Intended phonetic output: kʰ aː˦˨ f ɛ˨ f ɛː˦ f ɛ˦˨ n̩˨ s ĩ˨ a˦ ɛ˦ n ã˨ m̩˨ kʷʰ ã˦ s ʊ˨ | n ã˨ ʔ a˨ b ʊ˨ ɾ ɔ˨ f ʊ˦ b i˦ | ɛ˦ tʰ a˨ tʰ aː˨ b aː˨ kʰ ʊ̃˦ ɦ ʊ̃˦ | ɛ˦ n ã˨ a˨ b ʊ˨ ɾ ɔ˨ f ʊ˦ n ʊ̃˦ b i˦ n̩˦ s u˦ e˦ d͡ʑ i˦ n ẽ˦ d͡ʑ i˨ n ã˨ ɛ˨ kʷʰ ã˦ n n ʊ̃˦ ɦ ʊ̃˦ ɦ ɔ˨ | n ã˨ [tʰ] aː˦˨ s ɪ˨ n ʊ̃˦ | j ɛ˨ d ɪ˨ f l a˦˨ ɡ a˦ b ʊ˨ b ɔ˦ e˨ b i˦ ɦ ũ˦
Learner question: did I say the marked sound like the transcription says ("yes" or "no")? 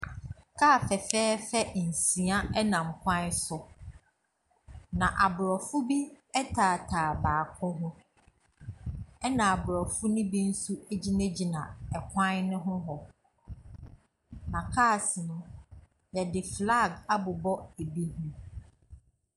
no